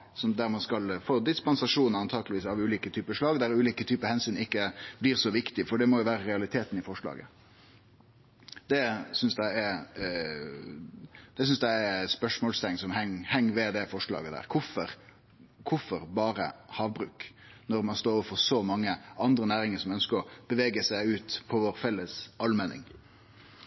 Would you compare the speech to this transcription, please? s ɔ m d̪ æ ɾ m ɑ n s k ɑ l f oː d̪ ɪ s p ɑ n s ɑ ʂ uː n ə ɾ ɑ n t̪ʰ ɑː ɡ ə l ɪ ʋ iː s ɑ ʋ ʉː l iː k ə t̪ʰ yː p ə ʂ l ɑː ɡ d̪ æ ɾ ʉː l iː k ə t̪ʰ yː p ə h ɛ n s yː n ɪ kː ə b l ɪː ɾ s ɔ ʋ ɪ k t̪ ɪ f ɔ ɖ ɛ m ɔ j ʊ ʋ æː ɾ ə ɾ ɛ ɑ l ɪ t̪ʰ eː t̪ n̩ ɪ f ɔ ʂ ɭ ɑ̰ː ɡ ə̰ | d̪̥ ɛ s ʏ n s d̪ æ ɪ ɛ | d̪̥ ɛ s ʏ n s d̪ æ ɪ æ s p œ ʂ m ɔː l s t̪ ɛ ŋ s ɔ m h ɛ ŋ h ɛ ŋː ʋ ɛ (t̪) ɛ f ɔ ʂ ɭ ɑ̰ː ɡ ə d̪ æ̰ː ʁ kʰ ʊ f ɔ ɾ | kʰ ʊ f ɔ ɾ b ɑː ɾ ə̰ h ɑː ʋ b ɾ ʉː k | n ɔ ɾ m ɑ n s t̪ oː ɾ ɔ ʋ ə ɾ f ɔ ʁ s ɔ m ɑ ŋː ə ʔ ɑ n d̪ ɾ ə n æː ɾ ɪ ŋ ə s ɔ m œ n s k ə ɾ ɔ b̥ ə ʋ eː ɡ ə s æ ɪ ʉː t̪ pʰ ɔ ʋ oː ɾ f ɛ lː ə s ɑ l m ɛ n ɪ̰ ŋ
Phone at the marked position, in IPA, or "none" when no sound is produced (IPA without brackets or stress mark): d̪